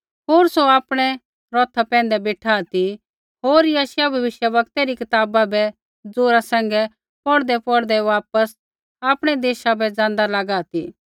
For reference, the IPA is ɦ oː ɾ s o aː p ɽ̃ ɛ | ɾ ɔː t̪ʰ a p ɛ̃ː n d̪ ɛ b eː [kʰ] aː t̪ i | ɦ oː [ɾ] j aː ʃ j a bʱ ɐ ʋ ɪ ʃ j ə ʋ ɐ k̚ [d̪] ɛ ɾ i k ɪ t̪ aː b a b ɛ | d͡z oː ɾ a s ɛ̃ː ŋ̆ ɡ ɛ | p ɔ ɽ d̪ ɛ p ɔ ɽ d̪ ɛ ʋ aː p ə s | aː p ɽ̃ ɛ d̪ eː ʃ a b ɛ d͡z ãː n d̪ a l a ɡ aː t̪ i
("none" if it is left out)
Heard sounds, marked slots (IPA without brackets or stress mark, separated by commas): ʈʰ, ɾ, t̪